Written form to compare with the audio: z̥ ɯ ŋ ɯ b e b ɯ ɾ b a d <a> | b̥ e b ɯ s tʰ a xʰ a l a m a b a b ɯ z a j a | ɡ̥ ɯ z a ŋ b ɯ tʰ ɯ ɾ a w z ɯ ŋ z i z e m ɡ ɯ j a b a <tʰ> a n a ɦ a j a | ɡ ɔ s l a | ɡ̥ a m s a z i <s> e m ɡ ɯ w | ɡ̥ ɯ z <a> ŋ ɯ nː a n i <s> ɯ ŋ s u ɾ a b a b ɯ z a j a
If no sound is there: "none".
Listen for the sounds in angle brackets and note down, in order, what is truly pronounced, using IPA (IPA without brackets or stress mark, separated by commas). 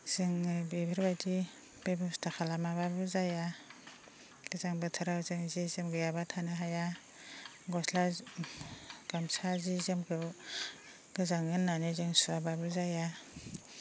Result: i, tʰ, z, a, z